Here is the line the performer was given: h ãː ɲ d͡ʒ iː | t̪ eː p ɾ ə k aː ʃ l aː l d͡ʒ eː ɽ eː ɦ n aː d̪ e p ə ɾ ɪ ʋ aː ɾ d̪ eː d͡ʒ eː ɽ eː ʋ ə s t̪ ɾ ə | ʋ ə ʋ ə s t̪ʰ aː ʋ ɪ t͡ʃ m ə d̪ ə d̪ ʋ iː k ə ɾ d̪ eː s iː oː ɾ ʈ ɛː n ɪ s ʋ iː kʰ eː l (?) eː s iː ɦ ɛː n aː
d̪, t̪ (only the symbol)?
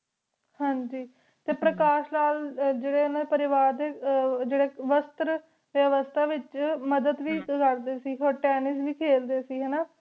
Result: d̪